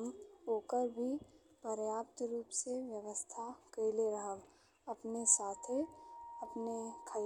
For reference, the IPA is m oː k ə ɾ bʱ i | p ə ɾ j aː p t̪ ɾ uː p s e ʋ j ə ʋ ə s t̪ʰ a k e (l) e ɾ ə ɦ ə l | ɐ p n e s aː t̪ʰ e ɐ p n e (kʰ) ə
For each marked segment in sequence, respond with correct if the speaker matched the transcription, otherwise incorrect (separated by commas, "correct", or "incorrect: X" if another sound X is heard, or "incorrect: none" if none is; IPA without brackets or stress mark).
correct, correct